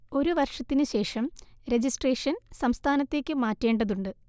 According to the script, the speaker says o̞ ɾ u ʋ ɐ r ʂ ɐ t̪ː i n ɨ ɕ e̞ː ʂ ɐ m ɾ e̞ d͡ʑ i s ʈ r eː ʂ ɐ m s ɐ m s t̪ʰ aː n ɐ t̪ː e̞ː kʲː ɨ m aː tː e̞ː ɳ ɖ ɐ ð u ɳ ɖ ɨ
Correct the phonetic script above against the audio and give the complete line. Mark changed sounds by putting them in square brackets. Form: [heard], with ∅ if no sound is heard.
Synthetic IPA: o̞ ɾ u ʋ ɐ r ʂ ɐ t̪ː i n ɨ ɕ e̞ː ʂ ɐ m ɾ e̞ d͡ʑ i s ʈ r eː ʂ ɐ [n] s ɐ m s t̪ʰ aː n ɐ t̪ː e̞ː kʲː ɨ m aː tː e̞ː ɳ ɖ ɐ ð u ɳ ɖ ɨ